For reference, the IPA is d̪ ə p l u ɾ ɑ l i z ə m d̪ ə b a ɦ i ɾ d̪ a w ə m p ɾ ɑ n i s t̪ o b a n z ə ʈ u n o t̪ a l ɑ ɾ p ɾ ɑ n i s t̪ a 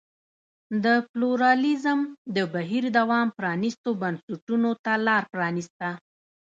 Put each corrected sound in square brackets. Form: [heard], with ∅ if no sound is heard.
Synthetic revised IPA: d̪ ə p l u ɾ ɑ l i z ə m d̪ ə b a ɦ i ɾ d̪ a w [ɑ] m p ɾ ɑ n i s t̪ o b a n [s] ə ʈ u n o t̪ a l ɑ ɾ p ɾ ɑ n i s t̪ a